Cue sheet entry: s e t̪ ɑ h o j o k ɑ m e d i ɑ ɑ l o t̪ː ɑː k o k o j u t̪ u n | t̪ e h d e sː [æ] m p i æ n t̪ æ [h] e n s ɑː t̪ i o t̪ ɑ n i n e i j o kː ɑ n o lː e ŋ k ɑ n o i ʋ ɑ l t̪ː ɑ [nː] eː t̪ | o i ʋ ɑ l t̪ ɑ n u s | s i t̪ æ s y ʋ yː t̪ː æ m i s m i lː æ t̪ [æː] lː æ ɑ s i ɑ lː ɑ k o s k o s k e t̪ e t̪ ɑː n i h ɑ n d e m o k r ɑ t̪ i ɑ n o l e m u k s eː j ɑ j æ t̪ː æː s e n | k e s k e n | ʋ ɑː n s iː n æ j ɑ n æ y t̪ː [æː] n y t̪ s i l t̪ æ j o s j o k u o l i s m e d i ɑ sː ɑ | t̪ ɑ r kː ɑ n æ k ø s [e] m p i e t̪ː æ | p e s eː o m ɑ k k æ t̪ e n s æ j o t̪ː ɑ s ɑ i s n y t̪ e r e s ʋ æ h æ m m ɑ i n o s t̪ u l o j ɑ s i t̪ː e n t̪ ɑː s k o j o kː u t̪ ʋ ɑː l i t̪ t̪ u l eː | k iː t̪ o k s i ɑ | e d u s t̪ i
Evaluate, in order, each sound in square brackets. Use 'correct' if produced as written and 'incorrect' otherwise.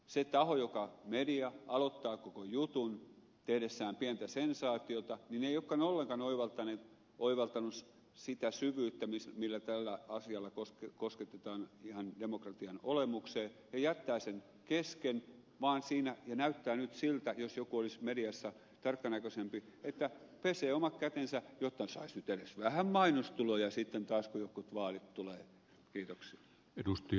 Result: incorrect: æː, incorrect: s, incorrect: n, incorrect: æ, correct, correct

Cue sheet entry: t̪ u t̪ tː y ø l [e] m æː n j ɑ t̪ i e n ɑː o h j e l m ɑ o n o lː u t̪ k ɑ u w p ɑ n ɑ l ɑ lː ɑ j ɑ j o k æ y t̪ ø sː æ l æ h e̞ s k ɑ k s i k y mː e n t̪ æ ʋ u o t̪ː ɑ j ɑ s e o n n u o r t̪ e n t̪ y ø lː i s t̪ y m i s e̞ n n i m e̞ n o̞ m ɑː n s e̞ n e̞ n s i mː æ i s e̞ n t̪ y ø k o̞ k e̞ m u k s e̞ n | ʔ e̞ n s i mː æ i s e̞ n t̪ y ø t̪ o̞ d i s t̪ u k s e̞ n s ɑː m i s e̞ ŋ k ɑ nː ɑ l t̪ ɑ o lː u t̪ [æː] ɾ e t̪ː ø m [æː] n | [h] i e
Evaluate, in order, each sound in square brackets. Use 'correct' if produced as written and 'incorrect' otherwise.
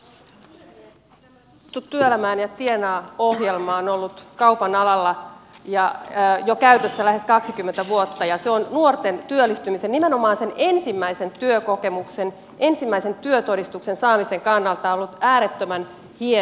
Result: incorrect: æ, correct, incorrect: æ, correct

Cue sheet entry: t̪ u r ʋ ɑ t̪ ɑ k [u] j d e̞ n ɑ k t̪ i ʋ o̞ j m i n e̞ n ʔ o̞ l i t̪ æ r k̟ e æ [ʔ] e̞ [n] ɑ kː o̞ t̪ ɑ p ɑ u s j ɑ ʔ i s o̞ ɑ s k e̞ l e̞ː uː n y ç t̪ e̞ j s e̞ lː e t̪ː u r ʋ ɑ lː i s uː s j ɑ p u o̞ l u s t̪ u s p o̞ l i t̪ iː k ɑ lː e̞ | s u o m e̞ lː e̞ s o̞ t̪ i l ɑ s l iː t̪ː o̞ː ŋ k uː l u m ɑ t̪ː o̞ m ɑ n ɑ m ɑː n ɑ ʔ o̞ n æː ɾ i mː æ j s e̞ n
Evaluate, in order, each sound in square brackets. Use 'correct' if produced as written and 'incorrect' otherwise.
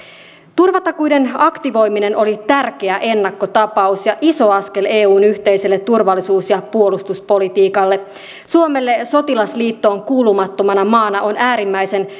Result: correct, correct, incorrect: nː

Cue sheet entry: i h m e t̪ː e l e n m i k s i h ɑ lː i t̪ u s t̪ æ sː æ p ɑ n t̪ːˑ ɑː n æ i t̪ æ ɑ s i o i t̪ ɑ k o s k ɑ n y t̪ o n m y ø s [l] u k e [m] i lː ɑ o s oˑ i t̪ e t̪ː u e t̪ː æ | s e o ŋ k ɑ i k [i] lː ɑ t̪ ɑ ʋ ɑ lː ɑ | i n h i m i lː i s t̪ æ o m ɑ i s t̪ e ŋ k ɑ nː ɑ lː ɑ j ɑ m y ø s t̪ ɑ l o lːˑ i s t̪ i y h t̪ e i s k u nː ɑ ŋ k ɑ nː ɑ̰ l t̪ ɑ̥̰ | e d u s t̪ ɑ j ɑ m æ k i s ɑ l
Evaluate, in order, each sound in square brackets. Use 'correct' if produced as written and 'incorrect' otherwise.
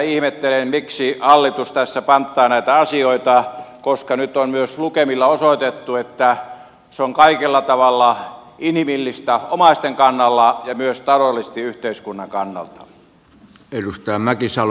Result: correct, correct, incorrect: e

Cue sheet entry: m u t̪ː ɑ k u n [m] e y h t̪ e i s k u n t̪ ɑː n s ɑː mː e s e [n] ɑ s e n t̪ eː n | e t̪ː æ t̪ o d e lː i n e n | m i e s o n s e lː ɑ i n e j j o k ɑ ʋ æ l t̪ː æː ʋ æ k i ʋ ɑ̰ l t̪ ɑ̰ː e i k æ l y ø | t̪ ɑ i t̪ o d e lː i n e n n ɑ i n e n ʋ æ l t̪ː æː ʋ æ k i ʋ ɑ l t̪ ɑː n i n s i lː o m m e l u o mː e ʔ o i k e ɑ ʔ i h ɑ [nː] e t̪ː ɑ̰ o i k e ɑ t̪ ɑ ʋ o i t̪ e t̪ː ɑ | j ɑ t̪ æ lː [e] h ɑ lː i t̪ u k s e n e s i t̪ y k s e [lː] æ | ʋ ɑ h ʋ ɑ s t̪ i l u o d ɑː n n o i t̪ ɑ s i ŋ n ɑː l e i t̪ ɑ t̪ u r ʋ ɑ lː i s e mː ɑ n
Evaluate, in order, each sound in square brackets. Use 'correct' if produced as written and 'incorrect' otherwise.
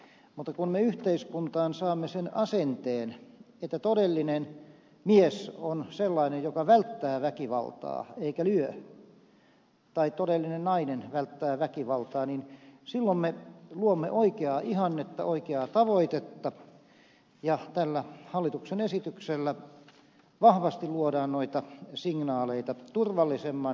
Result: correct, correct, correct, incorrect: æ, correct

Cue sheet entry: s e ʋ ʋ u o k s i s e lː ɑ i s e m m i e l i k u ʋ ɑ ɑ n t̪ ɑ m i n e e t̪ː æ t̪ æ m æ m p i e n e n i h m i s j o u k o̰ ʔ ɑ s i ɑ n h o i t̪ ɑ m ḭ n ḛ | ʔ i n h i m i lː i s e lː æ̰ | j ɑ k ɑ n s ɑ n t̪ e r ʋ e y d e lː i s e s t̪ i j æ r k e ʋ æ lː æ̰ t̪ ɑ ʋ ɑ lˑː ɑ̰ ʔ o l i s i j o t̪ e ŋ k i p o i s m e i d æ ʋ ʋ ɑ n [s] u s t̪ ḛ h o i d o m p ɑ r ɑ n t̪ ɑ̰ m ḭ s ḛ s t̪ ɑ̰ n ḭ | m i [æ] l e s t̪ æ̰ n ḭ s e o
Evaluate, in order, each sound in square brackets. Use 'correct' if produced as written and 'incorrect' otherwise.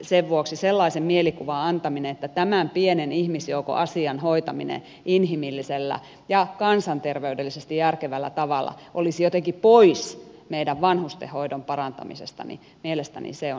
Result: incorrect: h, incorrect: e

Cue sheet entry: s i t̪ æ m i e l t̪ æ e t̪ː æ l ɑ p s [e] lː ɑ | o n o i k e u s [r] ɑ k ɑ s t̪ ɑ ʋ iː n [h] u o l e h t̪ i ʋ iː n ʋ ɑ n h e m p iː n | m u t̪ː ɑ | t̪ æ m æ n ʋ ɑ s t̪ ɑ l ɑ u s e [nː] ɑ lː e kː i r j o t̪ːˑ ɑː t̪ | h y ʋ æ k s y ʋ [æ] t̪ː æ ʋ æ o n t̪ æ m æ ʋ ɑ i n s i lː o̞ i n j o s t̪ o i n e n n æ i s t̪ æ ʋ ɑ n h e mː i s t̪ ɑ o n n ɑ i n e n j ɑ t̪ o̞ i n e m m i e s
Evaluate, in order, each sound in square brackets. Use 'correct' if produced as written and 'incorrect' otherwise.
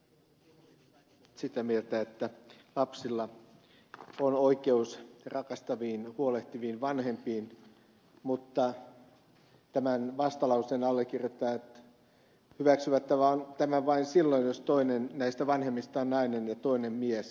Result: incorrect: i, correct, correct, incorrect: n, correct

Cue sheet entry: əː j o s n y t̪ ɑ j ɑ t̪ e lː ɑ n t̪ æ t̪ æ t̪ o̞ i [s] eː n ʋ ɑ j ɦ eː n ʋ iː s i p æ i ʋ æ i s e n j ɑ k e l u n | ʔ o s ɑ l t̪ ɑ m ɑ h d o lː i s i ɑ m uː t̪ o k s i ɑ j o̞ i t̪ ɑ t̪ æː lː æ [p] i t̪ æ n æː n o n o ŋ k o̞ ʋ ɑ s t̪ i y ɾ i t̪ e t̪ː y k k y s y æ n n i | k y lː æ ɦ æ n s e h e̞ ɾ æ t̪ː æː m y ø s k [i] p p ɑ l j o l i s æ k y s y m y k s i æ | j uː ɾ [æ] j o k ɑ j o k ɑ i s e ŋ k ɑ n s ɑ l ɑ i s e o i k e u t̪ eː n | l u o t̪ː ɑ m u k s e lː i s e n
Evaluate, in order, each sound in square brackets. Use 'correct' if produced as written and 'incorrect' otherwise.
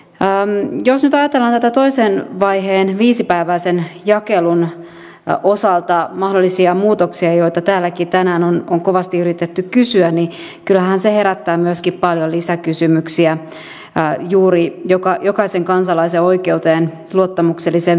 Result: correct, incorrect: k, correct, incorrect: i

